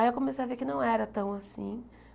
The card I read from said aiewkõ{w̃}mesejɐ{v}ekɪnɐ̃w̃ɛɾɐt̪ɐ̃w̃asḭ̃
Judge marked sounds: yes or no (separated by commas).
no, yes